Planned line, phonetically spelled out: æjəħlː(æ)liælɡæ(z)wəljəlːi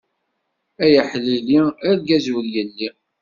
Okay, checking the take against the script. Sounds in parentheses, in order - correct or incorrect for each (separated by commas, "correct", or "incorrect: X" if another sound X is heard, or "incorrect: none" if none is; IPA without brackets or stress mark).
incorrect: i, correct